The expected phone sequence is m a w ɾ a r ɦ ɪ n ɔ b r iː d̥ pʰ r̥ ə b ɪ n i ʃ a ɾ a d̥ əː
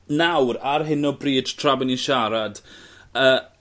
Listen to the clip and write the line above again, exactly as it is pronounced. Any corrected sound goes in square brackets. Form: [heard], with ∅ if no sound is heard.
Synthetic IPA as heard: [n] a w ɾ a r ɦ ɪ n ɔ b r iː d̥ [tʰ] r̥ [a] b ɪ n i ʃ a ɾ a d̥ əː

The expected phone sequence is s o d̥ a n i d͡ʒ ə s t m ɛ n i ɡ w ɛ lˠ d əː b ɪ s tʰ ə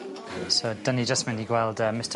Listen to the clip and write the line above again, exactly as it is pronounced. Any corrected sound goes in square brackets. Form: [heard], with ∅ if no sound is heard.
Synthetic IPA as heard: s o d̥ [ə] n i d͡ʒ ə s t m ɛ n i ɡ w ɛ lˠ d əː [m] ɪ s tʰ ə

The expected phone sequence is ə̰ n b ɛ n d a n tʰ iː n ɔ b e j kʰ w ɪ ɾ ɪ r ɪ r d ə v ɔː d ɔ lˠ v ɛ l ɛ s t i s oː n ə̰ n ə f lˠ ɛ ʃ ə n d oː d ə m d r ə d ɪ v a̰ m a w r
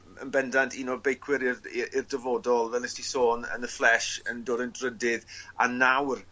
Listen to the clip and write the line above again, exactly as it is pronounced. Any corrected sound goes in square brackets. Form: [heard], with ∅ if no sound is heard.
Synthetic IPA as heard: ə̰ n b ɛ n d a n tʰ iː n ɔ b e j kʰ w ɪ ɾ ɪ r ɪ r d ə v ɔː d ɔ lˠ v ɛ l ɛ s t i s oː n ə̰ n ə f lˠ ɛ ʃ ə n d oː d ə [n] d r ə d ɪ [ð] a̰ [n] a w r

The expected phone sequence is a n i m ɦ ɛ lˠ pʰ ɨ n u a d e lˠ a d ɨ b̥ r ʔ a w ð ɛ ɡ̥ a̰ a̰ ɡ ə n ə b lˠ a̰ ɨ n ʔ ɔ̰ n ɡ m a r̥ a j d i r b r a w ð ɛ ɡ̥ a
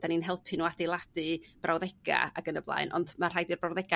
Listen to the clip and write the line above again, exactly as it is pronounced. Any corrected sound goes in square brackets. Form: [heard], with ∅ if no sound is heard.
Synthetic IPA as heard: a n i [n] ɦ ɛ lˠ pʰ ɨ n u a d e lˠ a d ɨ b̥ r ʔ a w ð ɛ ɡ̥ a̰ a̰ ɡ ə n ə b lˠ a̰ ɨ n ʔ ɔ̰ n [d] m a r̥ a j d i r b r a w ð ɛ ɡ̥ a

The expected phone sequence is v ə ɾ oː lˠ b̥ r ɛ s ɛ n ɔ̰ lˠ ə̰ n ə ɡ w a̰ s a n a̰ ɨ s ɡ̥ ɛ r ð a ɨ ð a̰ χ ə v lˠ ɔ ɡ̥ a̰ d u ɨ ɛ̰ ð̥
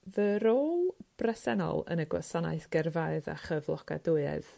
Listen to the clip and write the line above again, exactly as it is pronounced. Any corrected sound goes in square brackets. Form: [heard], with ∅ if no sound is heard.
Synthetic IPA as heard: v ə ɾ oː lˠ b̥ r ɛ s ɛ n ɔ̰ lˠ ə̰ n ə ɡ w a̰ s a n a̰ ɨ [θ] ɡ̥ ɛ r [v] a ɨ ð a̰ χ ə v lˠ ɔ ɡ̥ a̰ d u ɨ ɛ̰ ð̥

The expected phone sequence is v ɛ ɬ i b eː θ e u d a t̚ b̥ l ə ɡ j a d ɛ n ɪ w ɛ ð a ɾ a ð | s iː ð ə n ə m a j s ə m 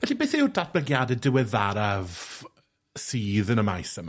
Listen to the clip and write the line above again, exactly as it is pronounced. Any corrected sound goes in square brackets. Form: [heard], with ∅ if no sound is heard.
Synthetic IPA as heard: v ɛ ɬ i b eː θ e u d a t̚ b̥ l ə ɡ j a d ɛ [d] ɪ w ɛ ð a ɾ a [v] | s iː ð ə n ə m a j s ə m

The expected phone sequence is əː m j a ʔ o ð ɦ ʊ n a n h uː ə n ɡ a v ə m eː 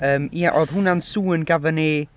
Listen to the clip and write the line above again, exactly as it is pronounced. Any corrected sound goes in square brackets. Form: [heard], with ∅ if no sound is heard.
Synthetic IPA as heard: əː m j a ʔ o ð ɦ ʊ n a n [s] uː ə n ɡ a v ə [n] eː

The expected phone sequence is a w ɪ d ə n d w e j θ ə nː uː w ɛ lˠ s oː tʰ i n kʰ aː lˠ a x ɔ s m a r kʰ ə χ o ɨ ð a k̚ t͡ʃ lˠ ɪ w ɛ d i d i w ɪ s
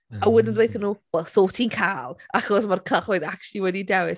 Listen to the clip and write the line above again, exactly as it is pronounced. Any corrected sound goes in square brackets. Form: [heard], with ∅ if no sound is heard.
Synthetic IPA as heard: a w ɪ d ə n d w e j θ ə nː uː w ɛ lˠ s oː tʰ i n kʰ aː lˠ a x ɔ s m a r kʰ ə χ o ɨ ð a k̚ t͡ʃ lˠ [i] w ɛ d i d [ɛ] w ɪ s

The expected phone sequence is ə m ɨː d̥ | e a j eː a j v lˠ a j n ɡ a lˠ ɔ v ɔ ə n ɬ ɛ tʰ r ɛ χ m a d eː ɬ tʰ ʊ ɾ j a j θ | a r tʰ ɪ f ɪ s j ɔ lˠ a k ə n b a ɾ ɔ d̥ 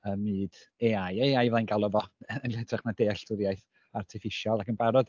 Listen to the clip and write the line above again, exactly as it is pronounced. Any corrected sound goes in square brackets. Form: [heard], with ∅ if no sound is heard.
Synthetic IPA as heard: ə m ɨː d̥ | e a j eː a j v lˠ a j n ɡ a lˠ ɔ v ɔ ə n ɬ ɛ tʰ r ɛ χ m a d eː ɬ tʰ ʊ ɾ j a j θ | a r tʰ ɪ f ɪ [ʃ] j ɔ lˠ a k ə n b a ɾ ɔ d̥

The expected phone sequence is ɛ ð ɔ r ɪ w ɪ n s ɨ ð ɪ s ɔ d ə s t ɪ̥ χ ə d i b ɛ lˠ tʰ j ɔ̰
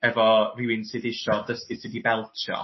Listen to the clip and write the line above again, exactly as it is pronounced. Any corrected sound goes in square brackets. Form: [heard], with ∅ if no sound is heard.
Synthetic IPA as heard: ɛ [v] ɔ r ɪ w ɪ n s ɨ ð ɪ [ʃ] ɔ d ə s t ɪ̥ [s] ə d i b ɛ lˠ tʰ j ɔ̰

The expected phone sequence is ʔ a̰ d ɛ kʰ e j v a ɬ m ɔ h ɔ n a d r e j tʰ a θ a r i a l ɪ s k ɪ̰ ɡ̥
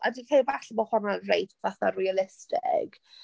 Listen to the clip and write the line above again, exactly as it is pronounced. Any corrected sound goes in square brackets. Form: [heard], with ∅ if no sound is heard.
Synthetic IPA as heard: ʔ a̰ d [i] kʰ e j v a ɬ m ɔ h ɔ n a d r e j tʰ a θ a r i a l ɪ s [t] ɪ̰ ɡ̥

